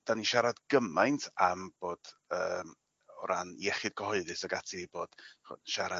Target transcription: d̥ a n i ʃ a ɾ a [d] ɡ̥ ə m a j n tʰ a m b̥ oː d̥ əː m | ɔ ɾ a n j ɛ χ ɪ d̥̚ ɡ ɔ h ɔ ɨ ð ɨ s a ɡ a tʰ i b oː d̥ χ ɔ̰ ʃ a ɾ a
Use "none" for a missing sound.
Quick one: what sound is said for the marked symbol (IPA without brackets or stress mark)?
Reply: d